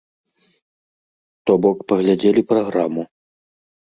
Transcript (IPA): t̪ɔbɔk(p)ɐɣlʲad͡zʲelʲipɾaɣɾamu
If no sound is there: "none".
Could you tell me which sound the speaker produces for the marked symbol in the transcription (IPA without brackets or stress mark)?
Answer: p